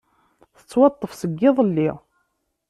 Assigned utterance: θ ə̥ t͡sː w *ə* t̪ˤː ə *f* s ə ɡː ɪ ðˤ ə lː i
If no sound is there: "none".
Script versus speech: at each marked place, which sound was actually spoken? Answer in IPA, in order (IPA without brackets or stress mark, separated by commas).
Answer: ɑ, f